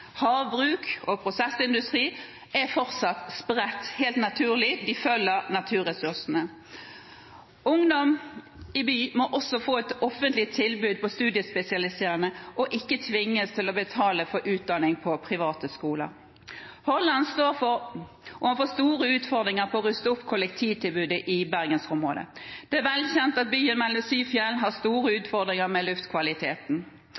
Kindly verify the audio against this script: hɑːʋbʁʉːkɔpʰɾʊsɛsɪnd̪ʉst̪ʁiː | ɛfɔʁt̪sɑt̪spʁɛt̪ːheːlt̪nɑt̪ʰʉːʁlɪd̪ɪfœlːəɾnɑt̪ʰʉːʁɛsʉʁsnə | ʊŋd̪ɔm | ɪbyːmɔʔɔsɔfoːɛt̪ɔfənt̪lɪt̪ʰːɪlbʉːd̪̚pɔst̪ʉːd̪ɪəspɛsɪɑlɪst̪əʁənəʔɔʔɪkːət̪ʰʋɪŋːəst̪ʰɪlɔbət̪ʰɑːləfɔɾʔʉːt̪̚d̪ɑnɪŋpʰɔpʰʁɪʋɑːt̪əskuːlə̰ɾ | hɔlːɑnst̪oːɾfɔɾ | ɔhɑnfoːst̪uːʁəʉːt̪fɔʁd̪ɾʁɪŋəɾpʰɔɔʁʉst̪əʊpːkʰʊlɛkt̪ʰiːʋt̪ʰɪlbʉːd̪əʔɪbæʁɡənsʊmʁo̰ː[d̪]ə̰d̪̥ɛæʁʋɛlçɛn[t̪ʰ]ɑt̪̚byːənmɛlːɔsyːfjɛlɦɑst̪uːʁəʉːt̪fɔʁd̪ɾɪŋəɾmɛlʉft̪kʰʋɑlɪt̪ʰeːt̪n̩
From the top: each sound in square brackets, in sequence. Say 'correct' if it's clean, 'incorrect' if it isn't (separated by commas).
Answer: correct, incorrect